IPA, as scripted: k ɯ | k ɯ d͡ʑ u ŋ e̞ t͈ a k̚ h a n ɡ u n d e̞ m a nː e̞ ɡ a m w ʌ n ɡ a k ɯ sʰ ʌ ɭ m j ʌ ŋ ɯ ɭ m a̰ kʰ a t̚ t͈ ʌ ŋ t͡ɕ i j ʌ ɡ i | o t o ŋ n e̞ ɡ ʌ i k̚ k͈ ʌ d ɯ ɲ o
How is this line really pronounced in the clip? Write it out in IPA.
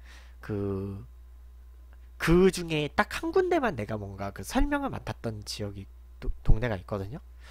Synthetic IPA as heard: k ɯ | k ɯ d͡ʑ u ŋ e̞ t͈ a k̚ h a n ɡ u n d e̞ m a nː e̞ ɡ a m w ʌ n ɡ a k ɯ sʰ ʌ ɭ m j ʌ ŋ ɯ ɭ m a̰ tʰ a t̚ t͈ ʌ n t͡ɕ i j ʌ ɡ i | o t o ŋ n e̞ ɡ a i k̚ k͈ ʌ d ɯ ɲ o